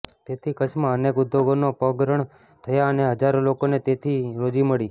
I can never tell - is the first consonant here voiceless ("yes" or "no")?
yes